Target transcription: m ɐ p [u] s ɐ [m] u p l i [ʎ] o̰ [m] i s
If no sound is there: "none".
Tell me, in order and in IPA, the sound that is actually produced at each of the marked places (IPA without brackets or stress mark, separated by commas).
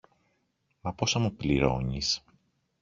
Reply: o, m, ɾ, ɲ